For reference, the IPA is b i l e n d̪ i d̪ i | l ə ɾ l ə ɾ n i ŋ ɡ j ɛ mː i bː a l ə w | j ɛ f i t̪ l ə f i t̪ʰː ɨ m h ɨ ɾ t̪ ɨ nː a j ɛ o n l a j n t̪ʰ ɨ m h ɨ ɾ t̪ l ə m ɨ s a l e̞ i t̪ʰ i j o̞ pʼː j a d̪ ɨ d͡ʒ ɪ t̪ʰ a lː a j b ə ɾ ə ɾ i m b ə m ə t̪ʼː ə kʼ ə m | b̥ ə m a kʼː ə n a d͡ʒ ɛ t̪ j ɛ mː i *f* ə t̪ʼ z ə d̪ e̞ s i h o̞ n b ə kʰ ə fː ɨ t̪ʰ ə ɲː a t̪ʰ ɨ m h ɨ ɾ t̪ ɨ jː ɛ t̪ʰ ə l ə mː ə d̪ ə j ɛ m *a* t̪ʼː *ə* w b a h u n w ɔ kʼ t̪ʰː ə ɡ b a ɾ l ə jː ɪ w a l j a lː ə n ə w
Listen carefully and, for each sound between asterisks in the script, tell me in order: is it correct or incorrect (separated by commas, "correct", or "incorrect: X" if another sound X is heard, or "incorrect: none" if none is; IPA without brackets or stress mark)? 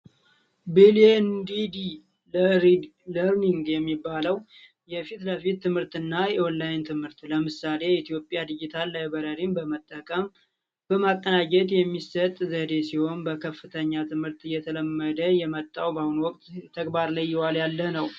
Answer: incorrect: s, incorrect: ə, incorrect: a